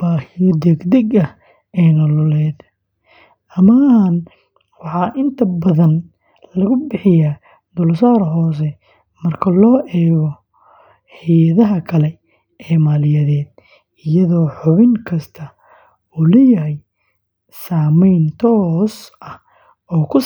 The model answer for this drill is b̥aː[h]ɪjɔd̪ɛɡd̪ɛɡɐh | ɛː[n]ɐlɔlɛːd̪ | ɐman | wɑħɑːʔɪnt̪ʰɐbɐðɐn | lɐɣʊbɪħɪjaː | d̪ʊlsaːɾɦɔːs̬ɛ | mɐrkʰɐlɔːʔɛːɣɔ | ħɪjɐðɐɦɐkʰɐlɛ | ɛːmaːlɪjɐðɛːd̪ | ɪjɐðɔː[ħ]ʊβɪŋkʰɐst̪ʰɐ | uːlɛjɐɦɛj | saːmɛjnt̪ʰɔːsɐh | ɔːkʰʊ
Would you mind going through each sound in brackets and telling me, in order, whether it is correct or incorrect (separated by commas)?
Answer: correct, correct, correct